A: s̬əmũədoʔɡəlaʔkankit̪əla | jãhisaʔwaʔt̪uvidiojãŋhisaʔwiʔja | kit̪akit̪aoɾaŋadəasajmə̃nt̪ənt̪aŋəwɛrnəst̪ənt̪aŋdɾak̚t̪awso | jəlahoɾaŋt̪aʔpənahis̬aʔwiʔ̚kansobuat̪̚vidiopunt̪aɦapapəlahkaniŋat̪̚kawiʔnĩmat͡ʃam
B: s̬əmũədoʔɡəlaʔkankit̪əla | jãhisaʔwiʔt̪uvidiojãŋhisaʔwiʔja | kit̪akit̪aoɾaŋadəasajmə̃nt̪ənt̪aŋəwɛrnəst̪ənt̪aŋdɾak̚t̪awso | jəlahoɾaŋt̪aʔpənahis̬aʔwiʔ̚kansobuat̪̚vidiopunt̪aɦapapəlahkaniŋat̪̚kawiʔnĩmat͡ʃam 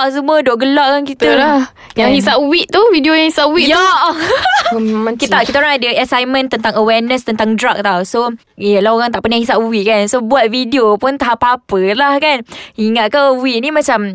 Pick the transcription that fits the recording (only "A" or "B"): B